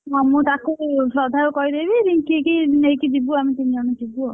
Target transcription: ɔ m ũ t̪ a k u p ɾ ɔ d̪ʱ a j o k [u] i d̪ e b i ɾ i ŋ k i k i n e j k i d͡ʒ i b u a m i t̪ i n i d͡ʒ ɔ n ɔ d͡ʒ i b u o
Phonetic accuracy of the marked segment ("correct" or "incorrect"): incorrect